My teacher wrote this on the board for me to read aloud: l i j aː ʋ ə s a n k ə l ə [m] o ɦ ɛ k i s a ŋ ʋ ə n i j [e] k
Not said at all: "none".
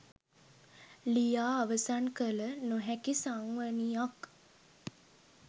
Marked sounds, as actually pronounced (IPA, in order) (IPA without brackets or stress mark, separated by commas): n, a